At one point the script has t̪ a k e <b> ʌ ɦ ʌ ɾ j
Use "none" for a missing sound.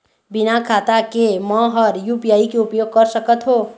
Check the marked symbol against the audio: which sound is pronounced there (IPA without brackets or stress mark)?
m